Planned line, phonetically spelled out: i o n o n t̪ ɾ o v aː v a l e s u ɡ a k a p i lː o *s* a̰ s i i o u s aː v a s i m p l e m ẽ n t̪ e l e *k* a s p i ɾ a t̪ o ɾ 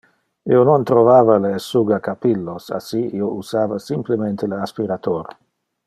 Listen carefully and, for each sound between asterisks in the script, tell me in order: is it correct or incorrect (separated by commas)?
correct, incorrect